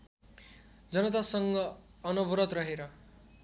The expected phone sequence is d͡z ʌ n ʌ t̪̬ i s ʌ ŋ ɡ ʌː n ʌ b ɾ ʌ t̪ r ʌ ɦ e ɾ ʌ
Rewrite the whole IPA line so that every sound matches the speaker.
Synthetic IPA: d͡z ʌ n ʌ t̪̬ a s ʌ ŋ ɡ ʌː n ʌ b ɾ ʌ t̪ r ʌ ɦ e ɾ ʌ